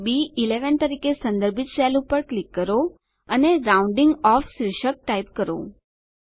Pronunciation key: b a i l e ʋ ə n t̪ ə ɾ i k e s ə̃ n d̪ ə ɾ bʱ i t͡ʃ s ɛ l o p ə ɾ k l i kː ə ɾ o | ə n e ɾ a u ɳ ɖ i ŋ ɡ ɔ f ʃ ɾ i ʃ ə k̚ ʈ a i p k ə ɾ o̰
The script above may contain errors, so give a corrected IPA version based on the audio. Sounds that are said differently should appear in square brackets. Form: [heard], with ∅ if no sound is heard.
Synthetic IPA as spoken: b [i] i l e ʋ ə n t̪ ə ɾ i k e s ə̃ n d̪ ə ɾ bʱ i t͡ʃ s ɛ l [u] p ə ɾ k l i kː ə ɾ o | ə n e ɾ a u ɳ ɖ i ŋ ɡ ɔ f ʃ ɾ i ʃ ə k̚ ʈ a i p k ə ɾ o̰